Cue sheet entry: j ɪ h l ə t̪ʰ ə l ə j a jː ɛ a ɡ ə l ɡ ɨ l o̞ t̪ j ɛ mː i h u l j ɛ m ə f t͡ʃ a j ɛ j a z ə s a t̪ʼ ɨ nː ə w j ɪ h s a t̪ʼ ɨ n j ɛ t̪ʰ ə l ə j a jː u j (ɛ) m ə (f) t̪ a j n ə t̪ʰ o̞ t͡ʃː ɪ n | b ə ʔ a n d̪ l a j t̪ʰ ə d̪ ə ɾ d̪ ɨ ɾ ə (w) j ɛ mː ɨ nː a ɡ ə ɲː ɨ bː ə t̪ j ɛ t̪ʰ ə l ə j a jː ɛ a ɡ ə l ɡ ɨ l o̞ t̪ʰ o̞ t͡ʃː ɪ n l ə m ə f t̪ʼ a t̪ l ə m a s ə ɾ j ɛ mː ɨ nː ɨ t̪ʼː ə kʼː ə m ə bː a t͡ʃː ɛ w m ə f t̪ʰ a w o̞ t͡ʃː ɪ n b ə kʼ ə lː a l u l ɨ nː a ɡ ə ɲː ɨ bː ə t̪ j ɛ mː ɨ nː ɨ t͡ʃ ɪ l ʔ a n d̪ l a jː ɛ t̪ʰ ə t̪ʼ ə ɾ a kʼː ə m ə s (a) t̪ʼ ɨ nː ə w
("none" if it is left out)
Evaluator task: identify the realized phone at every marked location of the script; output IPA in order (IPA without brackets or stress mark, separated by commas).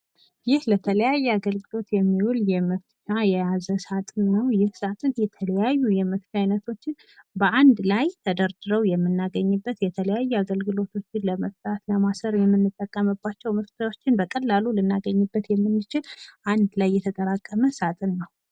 ɛ, f, w, a